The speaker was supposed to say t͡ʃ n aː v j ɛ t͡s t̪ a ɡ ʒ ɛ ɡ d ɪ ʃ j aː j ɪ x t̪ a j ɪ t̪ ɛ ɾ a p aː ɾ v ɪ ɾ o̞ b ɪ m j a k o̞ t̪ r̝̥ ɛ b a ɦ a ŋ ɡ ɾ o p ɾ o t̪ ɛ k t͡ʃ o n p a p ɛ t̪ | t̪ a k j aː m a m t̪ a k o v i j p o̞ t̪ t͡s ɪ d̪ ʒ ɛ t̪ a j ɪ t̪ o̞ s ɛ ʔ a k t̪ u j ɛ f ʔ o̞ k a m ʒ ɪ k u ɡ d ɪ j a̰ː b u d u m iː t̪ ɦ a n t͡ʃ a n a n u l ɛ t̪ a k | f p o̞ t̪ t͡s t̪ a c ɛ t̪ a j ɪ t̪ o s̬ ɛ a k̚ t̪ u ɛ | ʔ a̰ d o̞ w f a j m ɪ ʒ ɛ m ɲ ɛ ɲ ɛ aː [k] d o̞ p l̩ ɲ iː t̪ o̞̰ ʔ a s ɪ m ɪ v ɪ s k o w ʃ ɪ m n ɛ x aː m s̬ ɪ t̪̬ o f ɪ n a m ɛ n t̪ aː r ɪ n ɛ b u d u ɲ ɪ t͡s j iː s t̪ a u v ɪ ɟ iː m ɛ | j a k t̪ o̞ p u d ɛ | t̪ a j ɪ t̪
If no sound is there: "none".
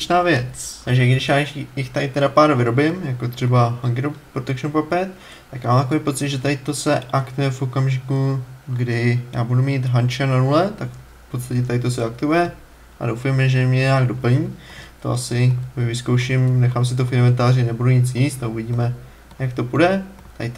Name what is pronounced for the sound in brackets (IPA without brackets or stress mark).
ɡ